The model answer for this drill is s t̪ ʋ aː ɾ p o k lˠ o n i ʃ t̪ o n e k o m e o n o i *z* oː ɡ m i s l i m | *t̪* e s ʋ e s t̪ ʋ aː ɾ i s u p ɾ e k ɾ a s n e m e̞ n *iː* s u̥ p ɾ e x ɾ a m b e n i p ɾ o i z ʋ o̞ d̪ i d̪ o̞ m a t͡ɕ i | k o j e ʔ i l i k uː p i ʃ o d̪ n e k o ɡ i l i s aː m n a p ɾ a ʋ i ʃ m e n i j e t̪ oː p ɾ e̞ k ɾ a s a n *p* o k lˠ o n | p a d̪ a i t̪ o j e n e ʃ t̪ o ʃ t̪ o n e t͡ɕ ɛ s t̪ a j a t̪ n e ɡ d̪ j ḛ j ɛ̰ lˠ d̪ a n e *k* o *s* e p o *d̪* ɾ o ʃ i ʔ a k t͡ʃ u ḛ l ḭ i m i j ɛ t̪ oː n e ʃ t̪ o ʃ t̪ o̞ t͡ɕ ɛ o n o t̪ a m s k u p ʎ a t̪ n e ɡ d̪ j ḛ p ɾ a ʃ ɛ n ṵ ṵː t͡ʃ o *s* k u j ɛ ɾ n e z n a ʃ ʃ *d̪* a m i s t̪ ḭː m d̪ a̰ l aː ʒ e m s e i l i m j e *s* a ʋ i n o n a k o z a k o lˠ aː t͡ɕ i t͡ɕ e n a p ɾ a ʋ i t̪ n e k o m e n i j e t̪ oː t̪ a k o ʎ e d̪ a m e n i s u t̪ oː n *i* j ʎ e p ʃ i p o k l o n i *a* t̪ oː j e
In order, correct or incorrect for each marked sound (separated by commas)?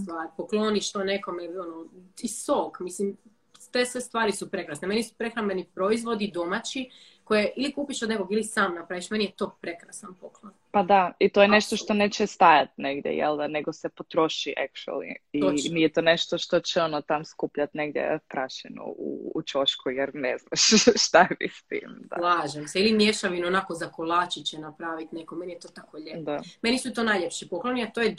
incorrect, correct, incorrect, correct, incorrect, correct, incorrect, incorrect, incorrect, incorrect, incorrect, correct